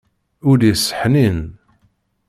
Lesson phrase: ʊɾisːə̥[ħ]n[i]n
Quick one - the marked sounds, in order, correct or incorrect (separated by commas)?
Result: correct, correct